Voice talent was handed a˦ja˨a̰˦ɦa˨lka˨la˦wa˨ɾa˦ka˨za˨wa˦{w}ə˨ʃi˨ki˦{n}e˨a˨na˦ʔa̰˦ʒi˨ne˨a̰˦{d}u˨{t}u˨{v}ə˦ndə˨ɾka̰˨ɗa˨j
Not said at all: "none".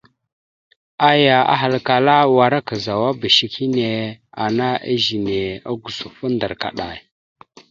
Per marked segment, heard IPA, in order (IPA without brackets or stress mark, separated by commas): b, n, ɡ, s, f